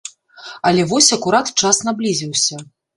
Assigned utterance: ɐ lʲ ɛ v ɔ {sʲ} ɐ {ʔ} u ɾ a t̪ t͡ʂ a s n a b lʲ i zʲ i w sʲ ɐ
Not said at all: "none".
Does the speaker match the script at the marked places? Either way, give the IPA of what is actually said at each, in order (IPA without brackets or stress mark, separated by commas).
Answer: sʲ, k